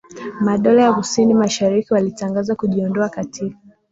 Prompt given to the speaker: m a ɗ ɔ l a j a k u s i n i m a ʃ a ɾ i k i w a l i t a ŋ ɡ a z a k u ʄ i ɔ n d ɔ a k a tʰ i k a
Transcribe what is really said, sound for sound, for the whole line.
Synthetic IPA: m a ɗ ɔ l a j a k u s i n i m a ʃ a ɾ i k i w a l i t a ŋ ɡ a z a k u ʄ i ɔ n d ɔ a k a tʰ i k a